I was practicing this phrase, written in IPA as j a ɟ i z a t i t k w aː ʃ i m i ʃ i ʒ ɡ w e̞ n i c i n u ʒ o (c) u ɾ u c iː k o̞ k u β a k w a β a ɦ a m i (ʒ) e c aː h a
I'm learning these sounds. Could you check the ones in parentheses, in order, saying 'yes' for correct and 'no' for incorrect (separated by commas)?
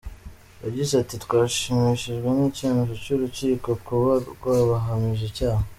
yes, yes